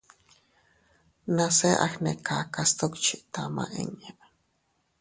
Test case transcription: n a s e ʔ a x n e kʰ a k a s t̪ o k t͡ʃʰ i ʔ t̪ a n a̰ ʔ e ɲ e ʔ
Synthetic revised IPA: n a s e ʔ a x n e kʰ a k a s t̪ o k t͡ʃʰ i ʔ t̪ a m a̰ ʔ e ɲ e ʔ